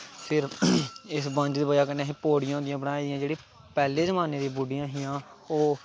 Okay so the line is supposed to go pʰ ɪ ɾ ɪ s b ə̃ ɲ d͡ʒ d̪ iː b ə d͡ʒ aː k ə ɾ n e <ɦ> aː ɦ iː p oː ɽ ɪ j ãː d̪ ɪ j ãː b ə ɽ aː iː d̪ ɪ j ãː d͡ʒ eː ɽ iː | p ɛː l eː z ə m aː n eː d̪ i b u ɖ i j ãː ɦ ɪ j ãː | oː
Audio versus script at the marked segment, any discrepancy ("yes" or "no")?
yes